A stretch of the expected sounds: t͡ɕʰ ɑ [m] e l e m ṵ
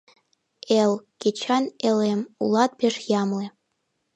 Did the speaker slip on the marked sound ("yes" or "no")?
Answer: yes